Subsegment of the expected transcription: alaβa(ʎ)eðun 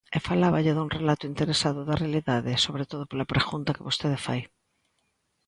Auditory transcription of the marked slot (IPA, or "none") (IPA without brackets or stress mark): ʎ